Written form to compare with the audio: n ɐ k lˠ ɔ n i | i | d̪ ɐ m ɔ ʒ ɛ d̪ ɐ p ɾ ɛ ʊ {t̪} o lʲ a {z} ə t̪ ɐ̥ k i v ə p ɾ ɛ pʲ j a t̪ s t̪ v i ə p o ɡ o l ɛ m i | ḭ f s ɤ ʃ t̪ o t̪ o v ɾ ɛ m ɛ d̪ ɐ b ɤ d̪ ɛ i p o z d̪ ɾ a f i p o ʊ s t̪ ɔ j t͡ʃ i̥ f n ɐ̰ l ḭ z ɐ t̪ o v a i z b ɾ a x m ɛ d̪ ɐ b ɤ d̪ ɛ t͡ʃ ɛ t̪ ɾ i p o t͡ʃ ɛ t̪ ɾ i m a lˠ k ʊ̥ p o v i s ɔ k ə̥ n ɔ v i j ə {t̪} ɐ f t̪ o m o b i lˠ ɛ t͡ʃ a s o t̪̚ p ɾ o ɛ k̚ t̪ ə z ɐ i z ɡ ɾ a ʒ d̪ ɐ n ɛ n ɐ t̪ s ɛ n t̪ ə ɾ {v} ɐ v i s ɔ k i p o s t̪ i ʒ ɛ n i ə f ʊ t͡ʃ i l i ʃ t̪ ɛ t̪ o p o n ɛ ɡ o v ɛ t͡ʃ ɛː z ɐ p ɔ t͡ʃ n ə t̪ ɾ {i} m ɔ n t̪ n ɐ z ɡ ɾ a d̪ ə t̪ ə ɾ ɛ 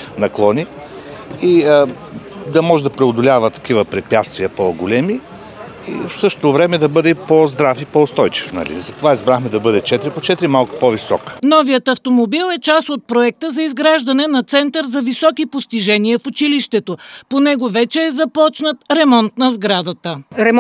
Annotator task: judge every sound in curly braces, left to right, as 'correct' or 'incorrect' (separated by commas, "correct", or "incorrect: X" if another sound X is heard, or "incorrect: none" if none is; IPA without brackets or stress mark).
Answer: incorrect: d̪, incorrect: v, correct, incorrect: z, incorrect: ɛ